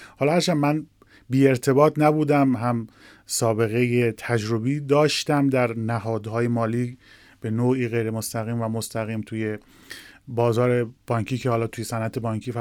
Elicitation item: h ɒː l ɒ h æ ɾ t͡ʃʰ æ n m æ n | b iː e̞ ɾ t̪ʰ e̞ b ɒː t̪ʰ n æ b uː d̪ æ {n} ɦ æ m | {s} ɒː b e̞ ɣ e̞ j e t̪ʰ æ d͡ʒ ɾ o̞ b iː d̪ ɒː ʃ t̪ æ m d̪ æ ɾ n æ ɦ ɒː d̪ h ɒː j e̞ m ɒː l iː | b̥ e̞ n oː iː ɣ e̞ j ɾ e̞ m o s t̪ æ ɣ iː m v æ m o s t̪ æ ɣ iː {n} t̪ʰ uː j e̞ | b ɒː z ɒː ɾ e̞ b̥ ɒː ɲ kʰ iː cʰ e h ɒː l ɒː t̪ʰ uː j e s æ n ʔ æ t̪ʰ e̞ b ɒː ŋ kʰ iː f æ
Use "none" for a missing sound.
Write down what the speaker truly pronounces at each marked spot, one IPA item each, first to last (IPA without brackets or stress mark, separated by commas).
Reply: m, s, m